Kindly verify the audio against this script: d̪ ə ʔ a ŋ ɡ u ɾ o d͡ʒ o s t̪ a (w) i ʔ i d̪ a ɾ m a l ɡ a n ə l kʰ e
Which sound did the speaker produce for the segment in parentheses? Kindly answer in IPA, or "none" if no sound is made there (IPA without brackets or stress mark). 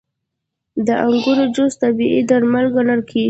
b